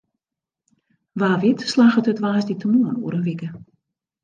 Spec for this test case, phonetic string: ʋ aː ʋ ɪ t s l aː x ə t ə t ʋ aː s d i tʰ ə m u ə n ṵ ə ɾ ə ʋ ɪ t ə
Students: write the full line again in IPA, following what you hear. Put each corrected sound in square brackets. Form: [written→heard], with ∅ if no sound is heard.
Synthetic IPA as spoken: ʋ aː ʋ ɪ t s l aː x ə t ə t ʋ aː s d i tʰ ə m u ə n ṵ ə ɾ ə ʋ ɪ [t→k] ə